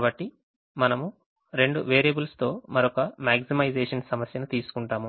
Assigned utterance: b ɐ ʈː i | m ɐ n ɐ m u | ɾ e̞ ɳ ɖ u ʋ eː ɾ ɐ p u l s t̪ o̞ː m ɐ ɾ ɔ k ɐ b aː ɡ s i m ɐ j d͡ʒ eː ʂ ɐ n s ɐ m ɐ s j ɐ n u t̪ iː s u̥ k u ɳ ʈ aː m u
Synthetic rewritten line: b ɐ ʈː i | m ɐ n ɐ m u | ɾ e̞ ɳ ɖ u ʋ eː ɾ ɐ b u l s t̪ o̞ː m ɐ ɾ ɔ k ɐ m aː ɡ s i m ɐ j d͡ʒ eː ʂ ɐ n s ɐ m ɐ s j ɐ n u t̪ iː s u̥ k u ɳ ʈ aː m u